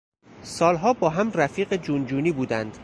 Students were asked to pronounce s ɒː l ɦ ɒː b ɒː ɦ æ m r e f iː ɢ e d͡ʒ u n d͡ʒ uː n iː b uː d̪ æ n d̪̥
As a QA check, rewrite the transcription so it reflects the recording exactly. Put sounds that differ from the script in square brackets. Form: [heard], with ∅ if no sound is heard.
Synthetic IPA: s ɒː l ɦ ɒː b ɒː ɦ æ m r [æ] f iː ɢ e d͡ʒ u n d͡ʒ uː n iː b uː d̪ æ n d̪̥